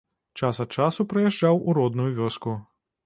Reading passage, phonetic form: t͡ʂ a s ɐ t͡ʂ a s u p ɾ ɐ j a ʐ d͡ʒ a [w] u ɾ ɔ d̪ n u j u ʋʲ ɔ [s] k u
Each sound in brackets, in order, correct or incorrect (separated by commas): correct, correct